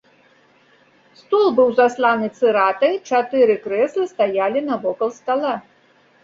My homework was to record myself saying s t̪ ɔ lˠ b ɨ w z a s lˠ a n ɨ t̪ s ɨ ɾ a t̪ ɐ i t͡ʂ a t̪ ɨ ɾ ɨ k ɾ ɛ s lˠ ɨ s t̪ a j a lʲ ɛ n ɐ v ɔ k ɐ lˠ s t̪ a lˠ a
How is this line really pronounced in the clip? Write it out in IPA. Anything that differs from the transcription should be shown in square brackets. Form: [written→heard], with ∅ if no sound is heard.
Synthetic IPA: s t̪ ɔ lˠ b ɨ w z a s lˠ a n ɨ t̪ s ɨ ɾ a t̪ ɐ [i→j] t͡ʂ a t̪ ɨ ɾ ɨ k ɾ ɛ s lˠ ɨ s t̪ a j a lʲ [ɛ→i] n ɐ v ɔ k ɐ lˠ s t̪ a lˠ a